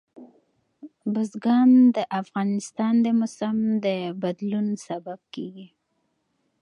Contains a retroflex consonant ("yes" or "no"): no